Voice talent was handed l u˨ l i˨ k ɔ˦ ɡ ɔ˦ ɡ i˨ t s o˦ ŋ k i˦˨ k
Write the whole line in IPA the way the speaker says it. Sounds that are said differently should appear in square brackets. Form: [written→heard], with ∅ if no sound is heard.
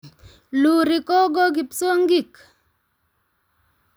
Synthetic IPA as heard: l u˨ [l→ɾ] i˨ k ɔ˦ ɡ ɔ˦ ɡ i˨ [t→p] s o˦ ŋ [k→ɡ] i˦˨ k